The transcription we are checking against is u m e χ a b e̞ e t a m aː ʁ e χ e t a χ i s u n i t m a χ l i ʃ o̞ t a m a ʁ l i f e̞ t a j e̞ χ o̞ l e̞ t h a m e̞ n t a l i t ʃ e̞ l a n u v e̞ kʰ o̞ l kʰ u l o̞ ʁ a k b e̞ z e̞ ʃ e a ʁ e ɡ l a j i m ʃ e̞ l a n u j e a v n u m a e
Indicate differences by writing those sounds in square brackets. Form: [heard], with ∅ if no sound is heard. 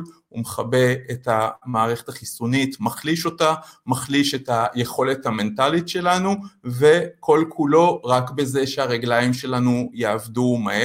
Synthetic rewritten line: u m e χ a b e̞ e t a m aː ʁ e χ e t a χ i s u n i t m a χ l i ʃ o̞ t a m a [χ] l i [ʃ] e̞ t a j e̞ χ o̞ l e̞ t h a m e̞ n t a l i t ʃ e̞ l a n u v e̞ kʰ o̞ l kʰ u l o̞ ʁ a k b e̞ z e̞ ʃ e a ʁ e ɡ l a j i m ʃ e̞ l a n u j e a v [d] u m a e